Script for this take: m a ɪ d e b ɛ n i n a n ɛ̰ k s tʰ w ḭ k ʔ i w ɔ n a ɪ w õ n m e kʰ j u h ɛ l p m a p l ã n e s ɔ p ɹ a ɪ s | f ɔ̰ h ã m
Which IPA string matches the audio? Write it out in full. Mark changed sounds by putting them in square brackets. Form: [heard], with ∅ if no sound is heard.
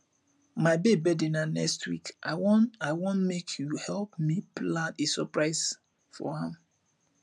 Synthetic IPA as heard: m a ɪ [b] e b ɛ [d] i n a n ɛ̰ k s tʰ w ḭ k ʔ [a] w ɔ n a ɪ w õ n m e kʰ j u h ɛ l p m [i] p l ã n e s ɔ p ɹ a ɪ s | f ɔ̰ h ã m